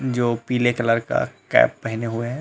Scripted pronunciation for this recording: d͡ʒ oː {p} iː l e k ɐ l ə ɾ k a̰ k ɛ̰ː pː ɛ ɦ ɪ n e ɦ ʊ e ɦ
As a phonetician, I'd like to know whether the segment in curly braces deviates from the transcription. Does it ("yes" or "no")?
no